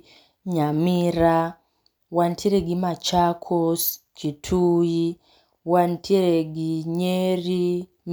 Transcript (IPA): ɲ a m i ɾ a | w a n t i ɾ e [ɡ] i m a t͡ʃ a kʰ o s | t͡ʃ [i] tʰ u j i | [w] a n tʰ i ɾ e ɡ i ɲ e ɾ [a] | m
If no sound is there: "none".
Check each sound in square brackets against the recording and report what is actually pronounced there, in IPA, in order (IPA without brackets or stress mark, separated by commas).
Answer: ɡ, i, w, i